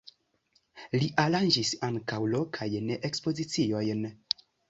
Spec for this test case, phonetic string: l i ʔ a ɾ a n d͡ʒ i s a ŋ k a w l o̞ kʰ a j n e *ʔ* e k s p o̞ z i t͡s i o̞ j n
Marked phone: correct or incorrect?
correct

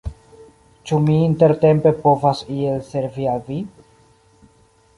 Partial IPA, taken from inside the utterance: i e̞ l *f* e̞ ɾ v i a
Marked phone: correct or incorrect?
incorrect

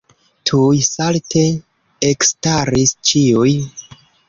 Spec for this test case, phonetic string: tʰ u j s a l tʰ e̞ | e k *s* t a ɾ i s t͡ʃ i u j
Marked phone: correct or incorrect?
correct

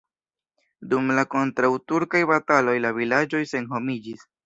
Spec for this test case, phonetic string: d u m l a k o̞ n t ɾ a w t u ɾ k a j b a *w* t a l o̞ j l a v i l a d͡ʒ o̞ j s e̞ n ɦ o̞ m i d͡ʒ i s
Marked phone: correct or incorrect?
incorrect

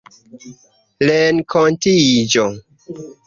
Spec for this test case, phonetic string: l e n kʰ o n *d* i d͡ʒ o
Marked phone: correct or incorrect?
incorrect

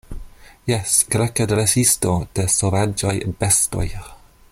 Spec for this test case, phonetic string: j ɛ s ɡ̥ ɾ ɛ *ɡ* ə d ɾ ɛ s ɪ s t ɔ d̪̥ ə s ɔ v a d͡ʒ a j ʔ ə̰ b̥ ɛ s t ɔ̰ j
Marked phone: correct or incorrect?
incorrect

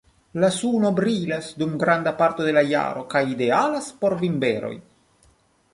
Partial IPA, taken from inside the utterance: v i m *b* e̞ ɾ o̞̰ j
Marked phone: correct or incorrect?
correct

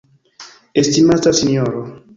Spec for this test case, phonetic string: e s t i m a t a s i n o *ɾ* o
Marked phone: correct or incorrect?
correct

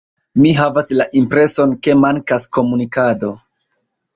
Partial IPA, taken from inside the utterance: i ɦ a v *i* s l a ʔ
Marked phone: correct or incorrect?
incorrect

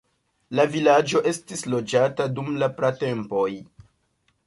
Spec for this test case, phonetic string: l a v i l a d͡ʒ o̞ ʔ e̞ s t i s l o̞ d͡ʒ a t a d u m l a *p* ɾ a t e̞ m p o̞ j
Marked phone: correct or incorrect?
correct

